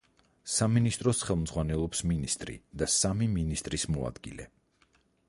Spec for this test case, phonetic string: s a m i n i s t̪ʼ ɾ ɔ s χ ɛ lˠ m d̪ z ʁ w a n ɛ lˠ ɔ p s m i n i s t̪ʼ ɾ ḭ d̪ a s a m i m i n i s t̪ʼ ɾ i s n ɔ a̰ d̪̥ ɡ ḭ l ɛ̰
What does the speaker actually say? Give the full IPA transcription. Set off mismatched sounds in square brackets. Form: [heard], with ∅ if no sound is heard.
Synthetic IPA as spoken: s a m i n i s t̪ʼ ɾ ɔ s χ ɛ lˠ m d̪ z ʁ w a n ɛ lˠ ɔ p s m i n i s t̪ʼ ɾ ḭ d̪ a s a m i m i n i s t̪ʼ ɾ i s [m] ɔ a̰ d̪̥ ɡ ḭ l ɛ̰